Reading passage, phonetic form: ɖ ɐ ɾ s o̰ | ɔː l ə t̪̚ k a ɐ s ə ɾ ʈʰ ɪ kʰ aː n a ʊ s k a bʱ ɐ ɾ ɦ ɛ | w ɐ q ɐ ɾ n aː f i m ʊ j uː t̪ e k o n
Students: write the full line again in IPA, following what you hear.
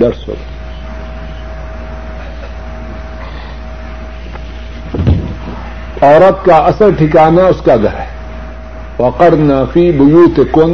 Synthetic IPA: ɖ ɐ ɾ s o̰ | ɔː ɾ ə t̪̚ k a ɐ s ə ɾ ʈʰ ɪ k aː n a ʊ s k a ɡʱ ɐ ɾ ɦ ɛ | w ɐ q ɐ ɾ n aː f i b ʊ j uː t̪ e k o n